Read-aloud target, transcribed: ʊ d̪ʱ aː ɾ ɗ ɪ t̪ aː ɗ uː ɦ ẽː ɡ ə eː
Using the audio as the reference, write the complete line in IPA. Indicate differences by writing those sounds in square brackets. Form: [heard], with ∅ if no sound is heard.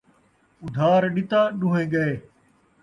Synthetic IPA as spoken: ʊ d̪ʱ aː ɾ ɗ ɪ t̪ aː ɗ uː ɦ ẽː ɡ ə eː